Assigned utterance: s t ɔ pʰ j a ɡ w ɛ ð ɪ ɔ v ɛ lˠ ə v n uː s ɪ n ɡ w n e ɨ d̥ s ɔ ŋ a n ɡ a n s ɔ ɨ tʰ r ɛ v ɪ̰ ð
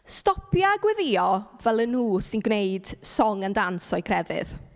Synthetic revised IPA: s t ɔ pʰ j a ɡ w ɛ ð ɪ ɔ v ɛ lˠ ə n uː s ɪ n ɡ w n e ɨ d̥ s ɔ ŋ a n d a n s ɔ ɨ kʰ r ɛ v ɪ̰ ð